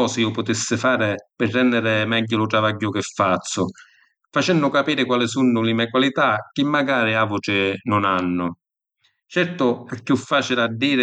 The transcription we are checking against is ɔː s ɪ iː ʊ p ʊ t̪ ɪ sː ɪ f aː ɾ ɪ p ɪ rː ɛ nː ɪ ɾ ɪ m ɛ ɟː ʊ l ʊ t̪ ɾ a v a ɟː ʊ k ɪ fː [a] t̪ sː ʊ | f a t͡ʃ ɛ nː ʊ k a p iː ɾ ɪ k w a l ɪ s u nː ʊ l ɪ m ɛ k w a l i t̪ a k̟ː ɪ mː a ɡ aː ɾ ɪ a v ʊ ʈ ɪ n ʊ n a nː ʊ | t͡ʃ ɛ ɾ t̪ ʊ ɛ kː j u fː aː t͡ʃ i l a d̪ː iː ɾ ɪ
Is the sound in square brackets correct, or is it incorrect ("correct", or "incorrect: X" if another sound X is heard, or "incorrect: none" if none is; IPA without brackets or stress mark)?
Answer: correct